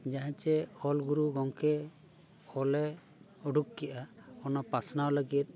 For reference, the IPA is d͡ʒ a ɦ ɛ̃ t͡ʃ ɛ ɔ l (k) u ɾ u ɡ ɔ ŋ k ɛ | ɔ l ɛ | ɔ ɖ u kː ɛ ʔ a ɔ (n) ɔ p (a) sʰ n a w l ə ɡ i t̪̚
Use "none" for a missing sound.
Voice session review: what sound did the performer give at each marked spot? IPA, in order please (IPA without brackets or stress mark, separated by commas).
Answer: ɡ, n, a